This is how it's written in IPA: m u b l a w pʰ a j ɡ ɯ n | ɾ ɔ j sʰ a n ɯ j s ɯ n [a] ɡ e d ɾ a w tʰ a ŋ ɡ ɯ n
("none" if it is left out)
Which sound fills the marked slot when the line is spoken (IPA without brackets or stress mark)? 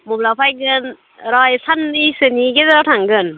i